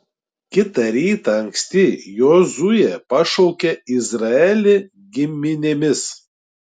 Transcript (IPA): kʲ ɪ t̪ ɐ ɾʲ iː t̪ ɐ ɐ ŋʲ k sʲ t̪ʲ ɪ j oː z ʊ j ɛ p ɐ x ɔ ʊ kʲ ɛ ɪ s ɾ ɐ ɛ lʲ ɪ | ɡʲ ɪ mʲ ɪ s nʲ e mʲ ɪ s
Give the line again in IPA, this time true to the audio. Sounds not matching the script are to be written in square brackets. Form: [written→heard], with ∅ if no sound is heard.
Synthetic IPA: kʲ ɪ t̪ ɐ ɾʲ iː t̪ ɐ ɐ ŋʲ k sʲ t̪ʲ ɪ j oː z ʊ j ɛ p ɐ [x→ʃ] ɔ ʊ kʲ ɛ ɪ [s→z] ɾ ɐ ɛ lʲ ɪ | ɡʲ ɪ mʲ ɪ [s→∅] nʲ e mʲ ɪ s